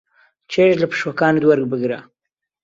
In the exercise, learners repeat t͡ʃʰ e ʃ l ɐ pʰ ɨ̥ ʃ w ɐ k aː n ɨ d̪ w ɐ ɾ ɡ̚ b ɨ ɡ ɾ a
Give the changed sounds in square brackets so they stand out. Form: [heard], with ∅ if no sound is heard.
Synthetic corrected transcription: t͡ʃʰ e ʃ l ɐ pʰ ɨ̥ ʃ w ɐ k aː n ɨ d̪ w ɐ ɾ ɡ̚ b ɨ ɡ ɾ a